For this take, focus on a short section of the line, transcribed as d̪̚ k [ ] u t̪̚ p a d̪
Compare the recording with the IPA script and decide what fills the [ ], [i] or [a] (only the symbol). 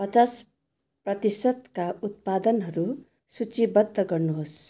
a